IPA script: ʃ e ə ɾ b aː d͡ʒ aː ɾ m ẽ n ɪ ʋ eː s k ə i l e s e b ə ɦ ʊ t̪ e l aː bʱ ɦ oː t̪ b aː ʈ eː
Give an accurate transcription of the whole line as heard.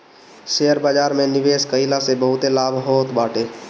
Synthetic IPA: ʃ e ə ɾ b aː d͡ʒ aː ɾ m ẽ n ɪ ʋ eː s k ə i l a s e b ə ɦ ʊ t̪ e l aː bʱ ɦ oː t̪ b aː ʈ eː

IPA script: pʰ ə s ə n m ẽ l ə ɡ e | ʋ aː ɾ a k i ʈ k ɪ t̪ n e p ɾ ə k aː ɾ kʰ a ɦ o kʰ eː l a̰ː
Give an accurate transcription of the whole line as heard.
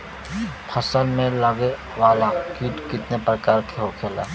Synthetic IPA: pʰ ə s ə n m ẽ l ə ɡ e | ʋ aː l a k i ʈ k ɪ t̪ n e p ɾ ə k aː ɾ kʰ e ɦ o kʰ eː l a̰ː

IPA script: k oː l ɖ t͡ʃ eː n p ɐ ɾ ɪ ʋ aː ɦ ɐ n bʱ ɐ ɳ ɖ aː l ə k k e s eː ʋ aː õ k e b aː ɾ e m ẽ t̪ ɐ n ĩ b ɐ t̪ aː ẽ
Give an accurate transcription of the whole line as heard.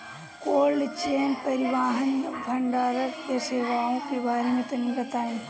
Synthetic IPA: k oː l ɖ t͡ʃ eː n p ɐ ɾ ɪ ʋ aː ɦ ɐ n bʱ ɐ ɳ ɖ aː ɾ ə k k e s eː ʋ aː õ k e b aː ɾ e m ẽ t̪ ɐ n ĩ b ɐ t̪ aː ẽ

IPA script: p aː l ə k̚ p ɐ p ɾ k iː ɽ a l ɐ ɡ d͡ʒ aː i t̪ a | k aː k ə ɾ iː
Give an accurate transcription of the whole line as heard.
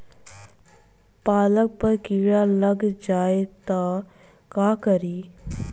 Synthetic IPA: p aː l ə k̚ p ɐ ɾ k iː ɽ a l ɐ ɡ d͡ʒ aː e t̪ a | k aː k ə ɾ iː

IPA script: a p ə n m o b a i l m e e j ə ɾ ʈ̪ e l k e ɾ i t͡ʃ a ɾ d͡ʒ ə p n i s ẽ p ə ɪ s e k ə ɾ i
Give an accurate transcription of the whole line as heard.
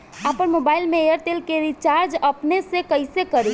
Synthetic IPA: a p ə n m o b a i l m e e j ə ɾ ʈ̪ e l k e ɾ i t͡ʃ a ɾ d͡ʒ ə p n e s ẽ k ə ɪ s e k ə ɾ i

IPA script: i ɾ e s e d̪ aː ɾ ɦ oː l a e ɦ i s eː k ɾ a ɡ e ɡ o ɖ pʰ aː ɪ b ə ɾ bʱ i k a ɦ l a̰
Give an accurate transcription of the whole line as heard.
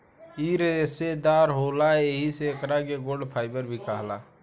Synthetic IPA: i ɾ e s e d̪ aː ɾ ɦ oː l a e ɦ i s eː k ɾ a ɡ e ɡ o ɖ pʰ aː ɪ b ə ɾ bʱ i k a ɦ l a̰

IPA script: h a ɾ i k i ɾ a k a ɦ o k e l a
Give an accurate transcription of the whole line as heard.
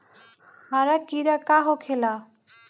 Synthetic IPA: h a ɾ a k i ɾ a k a ɦ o kʰ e l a

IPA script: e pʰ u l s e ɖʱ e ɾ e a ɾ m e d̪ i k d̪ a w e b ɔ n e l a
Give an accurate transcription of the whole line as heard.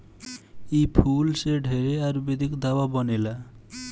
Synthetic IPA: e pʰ u l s e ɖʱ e ɾ e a ɾ b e d̪ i k d̪ a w a b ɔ n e l a

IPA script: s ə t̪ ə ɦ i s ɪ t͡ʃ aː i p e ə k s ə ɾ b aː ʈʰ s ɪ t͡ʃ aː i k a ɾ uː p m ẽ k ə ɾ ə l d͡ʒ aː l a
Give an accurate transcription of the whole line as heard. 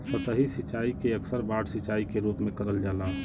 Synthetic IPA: s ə t̪ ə ɦ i s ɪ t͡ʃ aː i k e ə k s ə ɾ b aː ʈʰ s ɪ t͡ʃ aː i k e ɾ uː p m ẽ k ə ɾ ə l d͡ʒ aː l a

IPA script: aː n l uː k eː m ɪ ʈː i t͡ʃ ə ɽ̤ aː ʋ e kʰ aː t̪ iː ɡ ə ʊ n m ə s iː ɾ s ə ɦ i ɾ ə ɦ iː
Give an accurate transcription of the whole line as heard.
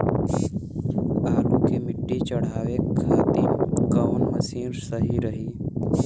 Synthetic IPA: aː l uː k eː m ɪ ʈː i t͡ʃ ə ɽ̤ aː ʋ e kʰ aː t̪ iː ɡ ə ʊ n m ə s iː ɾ s ə ɦ i ɾ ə ɦ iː

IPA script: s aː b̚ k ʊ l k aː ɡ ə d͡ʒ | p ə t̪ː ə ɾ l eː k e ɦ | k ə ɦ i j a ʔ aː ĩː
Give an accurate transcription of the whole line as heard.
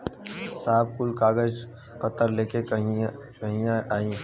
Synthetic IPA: s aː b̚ k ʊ l k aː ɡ ə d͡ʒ | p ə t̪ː ə ɾ l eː k e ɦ | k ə ɦ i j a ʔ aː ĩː

